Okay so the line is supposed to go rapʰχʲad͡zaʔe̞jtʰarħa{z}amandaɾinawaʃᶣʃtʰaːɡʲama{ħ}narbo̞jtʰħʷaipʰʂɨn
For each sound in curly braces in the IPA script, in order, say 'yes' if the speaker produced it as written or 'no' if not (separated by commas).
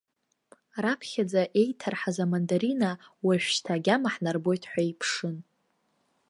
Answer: yes, yes